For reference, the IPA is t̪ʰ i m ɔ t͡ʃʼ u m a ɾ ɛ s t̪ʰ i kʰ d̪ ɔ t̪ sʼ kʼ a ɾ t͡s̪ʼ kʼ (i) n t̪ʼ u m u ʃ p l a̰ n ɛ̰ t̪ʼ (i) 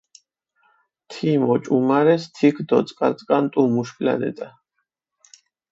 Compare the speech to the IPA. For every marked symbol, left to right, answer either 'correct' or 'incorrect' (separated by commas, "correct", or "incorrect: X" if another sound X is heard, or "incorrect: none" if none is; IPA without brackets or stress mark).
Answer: incorrect: a, incorrect: a